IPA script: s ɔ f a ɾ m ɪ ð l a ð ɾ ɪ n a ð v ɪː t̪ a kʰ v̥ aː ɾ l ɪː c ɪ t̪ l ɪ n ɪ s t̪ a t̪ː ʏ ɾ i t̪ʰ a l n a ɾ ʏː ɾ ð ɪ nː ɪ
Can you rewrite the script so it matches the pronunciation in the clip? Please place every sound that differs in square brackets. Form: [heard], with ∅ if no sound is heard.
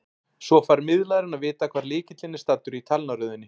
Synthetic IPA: s ɔ f a ɾ m ɪ ð l a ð ɾ ɪ n a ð v ɪː t̪ a kʰ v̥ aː ɾ l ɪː c ɪ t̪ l ɪ n ɪ s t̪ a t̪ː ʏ ɾ i t̪ʰ a l n a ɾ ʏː [∅] ð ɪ nː ɪ